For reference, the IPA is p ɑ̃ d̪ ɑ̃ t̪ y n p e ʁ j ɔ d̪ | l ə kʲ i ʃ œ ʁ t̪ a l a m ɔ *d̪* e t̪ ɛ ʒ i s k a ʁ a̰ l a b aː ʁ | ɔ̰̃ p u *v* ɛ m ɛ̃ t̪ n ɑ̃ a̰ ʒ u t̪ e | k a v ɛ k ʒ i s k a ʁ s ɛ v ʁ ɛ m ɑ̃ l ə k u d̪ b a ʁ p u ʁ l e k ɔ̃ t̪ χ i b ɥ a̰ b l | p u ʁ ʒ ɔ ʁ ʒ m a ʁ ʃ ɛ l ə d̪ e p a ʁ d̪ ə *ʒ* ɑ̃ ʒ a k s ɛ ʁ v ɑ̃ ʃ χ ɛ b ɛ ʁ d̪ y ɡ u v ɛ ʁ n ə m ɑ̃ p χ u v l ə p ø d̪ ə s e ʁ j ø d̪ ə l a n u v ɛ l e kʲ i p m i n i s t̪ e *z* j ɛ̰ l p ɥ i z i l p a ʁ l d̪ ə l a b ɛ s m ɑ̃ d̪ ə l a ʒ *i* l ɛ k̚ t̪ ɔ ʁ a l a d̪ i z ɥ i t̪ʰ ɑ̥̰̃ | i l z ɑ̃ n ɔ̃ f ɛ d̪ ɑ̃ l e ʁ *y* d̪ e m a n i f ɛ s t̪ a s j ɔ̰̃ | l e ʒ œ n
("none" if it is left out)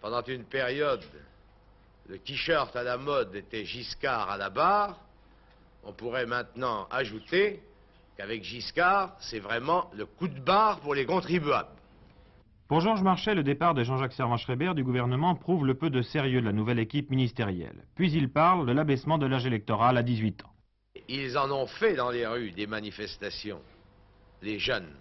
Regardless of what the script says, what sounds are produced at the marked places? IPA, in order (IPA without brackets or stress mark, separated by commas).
d̪, ʁ, ʒ, ʁ, e, y